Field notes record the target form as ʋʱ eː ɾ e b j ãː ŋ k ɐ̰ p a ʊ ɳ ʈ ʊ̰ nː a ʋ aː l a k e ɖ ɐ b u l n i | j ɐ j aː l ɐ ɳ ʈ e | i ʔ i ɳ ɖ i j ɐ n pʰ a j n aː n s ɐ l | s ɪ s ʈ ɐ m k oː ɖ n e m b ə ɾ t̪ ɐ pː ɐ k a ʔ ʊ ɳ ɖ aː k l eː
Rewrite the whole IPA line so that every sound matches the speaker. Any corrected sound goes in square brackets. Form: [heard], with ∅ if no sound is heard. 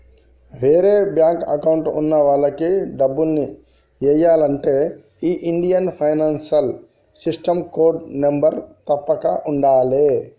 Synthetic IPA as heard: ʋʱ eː ɾ e b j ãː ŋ k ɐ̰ [k] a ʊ ɳ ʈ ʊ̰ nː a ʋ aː l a k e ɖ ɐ b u l n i | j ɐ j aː l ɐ ɳ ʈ e | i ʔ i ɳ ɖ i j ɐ n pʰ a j n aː n s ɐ l | s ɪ s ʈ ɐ m k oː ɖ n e m b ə ɾ t̪ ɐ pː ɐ k a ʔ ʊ ɳ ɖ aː [∅] l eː